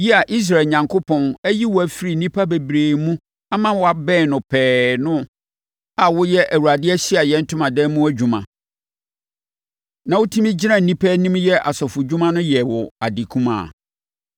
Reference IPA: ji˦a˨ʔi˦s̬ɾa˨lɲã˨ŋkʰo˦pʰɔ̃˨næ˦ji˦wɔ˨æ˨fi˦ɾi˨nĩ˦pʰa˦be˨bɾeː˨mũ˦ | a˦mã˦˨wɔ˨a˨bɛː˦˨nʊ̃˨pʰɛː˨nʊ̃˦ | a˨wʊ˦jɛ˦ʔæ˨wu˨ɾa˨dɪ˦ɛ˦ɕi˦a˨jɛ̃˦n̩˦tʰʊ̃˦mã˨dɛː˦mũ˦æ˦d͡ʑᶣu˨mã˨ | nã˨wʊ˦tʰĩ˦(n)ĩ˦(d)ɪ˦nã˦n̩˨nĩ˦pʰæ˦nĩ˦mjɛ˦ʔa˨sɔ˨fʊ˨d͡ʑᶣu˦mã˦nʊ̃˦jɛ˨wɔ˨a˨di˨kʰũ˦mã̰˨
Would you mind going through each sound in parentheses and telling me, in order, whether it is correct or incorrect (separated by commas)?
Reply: incorrect, incorrect